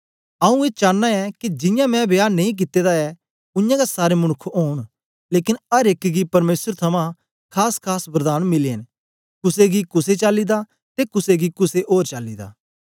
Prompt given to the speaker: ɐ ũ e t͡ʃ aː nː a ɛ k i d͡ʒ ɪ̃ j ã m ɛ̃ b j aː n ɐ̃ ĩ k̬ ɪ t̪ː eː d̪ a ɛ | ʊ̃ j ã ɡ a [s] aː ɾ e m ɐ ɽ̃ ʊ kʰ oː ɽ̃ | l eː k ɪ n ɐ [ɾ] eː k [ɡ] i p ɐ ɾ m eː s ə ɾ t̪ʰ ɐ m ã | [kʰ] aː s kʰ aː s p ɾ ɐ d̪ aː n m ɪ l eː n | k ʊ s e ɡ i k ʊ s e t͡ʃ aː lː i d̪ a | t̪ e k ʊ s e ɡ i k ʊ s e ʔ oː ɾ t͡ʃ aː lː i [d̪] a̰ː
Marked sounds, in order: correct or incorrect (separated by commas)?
correct, correct, correct, correct, correct